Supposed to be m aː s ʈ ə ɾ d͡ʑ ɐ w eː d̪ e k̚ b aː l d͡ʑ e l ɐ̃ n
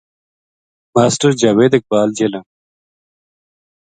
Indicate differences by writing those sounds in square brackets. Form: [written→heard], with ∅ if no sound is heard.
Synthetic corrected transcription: m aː s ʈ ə ɾ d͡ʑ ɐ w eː d̪ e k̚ b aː l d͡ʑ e l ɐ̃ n